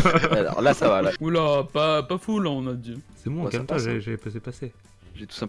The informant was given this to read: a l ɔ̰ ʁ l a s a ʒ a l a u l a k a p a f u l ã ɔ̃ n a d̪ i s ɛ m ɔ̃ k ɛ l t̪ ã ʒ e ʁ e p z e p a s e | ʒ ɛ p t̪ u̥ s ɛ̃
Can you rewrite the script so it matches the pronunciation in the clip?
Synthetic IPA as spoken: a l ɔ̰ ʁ l a s a v a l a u l a p a p a f u l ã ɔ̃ n a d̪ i s ɛ m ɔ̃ k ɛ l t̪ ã ʒ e ʒ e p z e p a s e | ʒ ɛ t̪ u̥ s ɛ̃